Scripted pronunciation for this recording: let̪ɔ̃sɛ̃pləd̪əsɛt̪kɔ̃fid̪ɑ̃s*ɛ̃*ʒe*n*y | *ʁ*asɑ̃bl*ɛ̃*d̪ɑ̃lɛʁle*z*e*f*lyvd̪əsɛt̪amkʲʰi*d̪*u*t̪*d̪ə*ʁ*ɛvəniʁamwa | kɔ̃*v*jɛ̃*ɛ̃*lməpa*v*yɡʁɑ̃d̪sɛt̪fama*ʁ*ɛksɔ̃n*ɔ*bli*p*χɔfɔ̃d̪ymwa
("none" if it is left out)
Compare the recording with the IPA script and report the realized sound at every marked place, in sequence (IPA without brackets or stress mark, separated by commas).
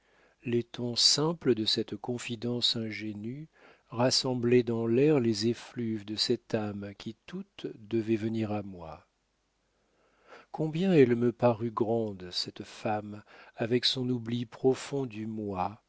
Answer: ɛ̃, n, ʁ, ɛ, z, f, t̪, t̪, v, b, ɛ, ʁ, v, u, p